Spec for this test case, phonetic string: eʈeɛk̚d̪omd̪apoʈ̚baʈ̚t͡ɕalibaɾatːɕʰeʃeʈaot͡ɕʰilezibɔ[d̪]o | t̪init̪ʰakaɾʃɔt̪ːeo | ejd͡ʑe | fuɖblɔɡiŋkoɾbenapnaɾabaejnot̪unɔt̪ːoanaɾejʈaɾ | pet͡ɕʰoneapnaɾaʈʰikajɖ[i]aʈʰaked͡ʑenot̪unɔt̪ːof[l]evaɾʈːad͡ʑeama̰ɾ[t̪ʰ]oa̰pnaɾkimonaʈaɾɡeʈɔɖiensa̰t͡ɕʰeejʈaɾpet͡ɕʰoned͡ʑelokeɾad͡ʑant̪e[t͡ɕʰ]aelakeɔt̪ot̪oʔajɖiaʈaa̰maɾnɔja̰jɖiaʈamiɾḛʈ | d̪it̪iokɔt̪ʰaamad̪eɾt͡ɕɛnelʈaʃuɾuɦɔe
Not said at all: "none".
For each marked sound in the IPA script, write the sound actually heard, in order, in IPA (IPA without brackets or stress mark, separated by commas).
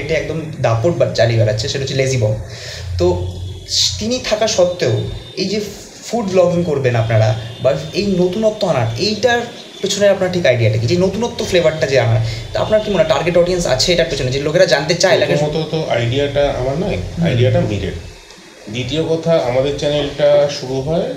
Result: t̪, i, l, t̪, t͡ɕ